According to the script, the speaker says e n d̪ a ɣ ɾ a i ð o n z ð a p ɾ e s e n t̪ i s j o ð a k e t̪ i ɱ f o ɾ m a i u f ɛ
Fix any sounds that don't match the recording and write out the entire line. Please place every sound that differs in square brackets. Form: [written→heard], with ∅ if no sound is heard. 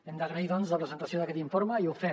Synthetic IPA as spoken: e n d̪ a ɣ ɾ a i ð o n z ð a p ɾ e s e n t̪ [i→a] s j o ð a k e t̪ i ɱ f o ɾ m a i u f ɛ